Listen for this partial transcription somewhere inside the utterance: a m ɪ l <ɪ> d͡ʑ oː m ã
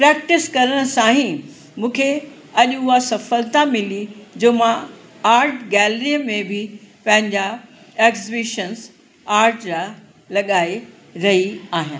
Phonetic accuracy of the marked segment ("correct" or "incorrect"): incorrect